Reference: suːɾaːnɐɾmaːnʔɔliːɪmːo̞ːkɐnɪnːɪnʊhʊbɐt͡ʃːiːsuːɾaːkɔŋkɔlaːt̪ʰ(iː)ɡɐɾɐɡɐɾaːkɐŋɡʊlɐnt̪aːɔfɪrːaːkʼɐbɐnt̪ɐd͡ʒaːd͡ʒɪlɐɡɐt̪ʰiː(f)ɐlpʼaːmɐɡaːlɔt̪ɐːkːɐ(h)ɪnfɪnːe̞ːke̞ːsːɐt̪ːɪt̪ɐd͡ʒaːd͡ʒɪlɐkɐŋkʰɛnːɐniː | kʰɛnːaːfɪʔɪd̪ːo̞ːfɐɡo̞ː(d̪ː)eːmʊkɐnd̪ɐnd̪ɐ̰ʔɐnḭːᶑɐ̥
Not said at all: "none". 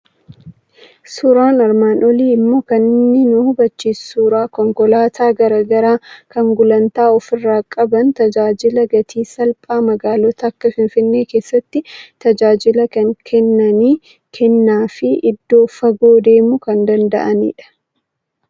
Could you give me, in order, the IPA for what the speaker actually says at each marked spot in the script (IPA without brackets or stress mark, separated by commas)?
aː, s, f, d̪